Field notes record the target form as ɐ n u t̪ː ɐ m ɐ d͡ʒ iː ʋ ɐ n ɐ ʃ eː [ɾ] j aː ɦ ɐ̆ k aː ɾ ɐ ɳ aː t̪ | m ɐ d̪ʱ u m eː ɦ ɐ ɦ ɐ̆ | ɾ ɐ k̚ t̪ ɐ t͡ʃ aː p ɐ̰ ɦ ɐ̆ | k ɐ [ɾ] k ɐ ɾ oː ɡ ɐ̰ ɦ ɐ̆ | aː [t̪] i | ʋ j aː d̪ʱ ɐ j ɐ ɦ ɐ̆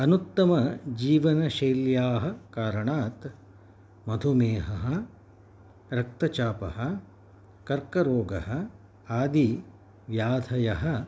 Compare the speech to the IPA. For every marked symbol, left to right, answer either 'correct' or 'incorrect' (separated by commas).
incorrect, correct, incorrect